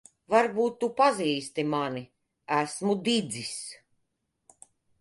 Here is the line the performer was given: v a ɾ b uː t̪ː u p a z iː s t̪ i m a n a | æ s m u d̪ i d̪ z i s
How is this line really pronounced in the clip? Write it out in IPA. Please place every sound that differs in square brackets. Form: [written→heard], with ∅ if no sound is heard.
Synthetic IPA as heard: v a ɾ b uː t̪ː u p a z iː s t̪ i m a n [a→i] | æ s m u d̪ i d̪ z i s